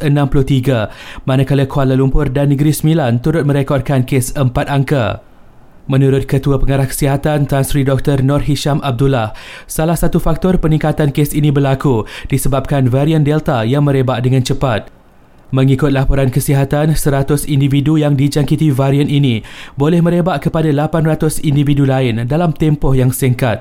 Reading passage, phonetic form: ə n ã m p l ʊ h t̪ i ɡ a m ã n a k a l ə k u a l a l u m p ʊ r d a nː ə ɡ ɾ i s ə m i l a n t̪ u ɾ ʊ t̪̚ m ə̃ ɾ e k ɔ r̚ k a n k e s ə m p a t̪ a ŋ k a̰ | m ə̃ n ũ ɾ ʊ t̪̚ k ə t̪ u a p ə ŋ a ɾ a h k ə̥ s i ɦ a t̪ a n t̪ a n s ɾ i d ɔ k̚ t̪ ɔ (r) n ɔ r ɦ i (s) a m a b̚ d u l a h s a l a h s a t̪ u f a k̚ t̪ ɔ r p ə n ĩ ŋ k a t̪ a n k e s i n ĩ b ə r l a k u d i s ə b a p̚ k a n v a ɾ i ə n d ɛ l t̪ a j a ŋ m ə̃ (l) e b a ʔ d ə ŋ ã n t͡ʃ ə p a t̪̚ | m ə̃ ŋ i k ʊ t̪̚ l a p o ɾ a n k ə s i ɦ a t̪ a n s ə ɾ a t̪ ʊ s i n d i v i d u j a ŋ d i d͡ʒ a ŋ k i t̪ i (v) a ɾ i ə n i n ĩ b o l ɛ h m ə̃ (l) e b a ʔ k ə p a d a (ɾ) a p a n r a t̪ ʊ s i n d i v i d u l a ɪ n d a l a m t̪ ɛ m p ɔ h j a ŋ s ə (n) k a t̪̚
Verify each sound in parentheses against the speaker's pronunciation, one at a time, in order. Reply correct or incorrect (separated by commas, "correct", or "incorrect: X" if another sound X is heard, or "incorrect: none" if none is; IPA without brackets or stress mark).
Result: correct, incorrect: ʃ, incorrect: ɾ, correct, incorrect: ɾ, incorrect: l, incorrect: ŋ